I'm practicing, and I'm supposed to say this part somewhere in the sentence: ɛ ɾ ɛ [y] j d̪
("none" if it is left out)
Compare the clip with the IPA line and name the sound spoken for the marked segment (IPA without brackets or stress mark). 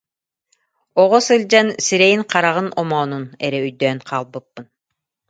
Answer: y